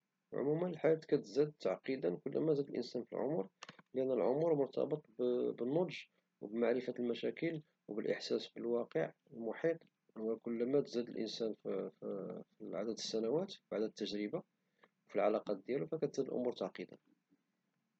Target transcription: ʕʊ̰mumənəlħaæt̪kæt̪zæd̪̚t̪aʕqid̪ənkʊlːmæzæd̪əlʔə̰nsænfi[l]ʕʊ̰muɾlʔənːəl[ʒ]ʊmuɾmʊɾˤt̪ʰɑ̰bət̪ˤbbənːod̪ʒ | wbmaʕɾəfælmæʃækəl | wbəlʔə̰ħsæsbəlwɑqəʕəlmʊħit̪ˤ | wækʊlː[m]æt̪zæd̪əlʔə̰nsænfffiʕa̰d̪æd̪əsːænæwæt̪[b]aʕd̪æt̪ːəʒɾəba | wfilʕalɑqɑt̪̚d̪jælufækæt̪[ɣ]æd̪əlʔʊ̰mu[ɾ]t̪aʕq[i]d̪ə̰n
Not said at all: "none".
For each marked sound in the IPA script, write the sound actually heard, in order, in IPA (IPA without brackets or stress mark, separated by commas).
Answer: l, ʕ, m, b, z, ɾ, i